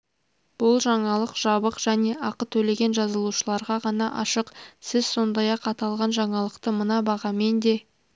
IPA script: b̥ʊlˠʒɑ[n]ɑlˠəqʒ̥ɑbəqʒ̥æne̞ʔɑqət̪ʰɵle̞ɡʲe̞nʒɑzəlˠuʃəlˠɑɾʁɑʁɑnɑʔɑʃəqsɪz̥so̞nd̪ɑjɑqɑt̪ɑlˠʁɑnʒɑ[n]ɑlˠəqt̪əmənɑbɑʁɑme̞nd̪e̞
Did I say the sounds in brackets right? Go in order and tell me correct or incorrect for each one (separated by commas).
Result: incorrect, incorrect